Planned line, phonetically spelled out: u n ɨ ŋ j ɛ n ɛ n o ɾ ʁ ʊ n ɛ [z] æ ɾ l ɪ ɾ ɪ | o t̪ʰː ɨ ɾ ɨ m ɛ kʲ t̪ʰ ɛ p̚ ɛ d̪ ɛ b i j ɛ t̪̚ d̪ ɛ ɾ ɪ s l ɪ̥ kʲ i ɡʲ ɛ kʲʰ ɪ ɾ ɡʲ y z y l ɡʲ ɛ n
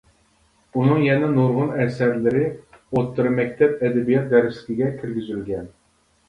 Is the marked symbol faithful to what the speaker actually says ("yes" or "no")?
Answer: no